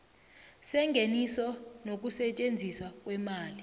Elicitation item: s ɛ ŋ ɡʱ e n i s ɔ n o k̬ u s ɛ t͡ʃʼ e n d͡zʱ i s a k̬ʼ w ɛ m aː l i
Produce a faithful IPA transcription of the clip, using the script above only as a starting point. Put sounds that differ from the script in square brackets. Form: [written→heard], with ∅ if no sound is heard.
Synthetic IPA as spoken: s ɛ ŋ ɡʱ e n i s ɔ n o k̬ u s ɛ t͡ʃʼ e n d͡zʱ i s a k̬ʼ w ɛ m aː l i